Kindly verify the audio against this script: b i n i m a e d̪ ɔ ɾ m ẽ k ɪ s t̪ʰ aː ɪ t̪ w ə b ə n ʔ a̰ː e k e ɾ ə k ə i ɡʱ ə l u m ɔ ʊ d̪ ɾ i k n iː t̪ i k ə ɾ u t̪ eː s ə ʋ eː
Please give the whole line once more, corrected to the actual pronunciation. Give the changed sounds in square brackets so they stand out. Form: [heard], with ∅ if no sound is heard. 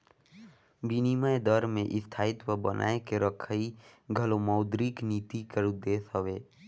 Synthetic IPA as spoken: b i n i m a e d̪ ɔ ɾ m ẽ [ʔ] ɪ s t̪ʰ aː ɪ t̪ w ə b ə n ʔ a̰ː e k e ɾ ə [kʰ] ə i ɡʱ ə l [o] m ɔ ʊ d̪ ɾ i k n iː t̪ i k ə ɾ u [d̪] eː s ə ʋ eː